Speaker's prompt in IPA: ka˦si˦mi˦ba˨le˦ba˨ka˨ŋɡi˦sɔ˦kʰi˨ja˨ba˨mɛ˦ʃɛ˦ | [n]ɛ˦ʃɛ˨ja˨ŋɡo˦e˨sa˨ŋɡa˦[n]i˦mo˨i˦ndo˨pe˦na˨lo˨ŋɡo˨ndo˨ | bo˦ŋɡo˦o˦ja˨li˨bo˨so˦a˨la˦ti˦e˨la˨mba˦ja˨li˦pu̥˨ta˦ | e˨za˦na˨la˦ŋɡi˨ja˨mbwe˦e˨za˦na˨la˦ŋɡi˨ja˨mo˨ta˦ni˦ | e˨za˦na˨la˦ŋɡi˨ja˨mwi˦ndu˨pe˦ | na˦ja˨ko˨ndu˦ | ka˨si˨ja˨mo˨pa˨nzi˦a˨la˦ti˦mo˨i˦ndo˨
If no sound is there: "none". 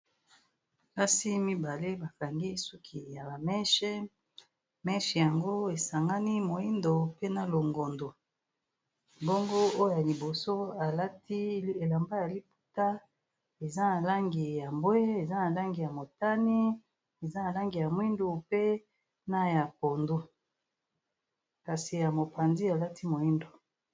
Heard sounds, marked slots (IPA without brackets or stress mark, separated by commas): m, n